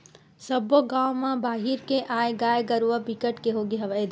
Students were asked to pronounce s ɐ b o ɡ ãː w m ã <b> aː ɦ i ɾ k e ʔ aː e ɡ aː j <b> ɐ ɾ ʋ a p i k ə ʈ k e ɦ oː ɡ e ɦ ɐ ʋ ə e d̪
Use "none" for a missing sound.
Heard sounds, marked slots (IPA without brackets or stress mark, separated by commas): b, ɡ